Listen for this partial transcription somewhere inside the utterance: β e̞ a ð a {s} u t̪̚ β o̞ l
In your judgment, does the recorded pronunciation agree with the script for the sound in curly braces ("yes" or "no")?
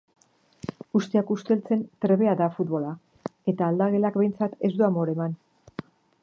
no